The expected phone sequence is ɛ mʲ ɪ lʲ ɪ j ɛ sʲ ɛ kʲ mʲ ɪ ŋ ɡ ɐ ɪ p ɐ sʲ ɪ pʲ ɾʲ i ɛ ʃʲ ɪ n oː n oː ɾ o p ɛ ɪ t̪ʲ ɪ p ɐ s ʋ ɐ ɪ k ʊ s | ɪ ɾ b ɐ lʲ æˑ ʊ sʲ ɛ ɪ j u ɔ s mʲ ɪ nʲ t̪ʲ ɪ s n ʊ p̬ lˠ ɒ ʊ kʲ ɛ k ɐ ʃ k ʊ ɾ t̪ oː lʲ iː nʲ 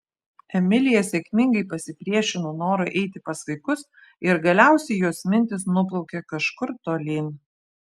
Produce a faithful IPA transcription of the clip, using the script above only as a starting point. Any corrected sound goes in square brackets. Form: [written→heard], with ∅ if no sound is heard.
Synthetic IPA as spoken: ɛ mʲ ɪ lʲ ɪ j ɛ sʲ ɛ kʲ mʲ ɪ ŋ ɡ ɐ ɪ p ɐ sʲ ɪ pʲ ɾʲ i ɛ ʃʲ ɪ n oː n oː ɾ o [p→ʔ] ɛ ɪ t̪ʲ ɪ p ɐ s ʋ ɐ ɪ k ʊ s | ɪ ɾ [b→ɡ] ɐ lʲ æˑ ʊ sʲ ɛ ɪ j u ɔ s mʲ ɪ nʲ t̪ʲ ɪ s n ʊ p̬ lˠ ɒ ʊ kʲ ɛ k ɐ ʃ k ʊ ɾ t̪ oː lʲ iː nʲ